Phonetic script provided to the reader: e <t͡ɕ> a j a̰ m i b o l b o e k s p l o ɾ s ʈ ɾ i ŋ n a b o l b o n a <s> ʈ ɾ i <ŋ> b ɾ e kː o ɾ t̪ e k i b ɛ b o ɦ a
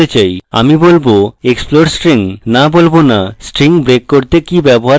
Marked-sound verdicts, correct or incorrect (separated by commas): correct, correct, correct